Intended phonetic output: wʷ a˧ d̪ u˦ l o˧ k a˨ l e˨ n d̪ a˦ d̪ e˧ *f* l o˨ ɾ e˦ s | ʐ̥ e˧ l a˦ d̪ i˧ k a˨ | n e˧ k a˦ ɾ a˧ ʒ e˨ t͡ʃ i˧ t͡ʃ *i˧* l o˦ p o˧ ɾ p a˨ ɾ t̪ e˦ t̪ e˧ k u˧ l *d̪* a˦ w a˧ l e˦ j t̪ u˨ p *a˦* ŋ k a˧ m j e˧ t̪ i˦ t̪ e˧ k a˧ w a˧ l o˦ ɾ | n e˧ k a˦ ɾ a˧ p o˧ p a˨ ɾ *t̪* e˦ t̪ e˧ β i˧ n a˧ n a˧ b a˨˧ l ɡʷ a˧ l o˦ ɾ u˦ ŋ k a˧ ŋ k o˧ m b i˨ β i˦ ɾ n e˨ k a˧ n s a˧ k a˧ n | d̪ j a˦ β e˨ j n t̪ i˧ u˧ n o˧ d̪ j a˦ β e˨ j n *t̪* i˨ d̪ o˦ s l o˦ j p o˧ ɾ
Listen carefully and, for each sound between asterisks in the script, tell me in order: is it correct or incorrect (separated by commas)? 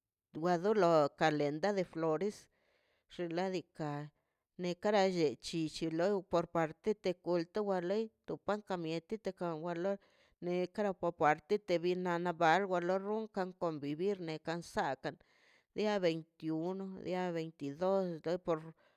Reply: correct, correct, incorrect, correct, correct, correct